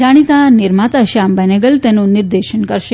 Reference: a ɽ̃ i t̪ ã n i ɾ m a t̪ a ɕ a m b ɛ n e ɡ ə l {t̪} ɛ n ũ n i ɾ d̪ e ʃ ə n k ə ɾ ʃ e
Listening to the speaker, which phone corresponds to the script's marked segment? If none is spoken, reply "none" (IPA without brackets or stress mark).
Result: t̪